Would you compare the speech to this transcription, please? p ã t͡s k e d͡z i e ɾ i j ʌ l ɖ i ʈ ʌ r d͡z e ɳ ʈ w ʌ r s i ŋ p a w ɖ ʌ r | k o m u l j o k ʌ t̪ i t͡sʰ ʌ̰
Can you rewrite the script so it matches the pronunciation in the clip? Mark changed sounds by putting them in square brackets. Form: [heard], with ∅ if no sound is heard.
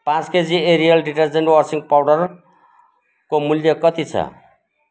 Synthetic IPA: p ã t͡s k e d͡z i e ɾ i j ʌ l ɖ i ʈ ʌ r d͡z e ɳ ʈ w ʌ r s i ŋ p a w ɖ ʌ r | k o m u l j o k ʌ t̪ i t͡sʰ ʌ̰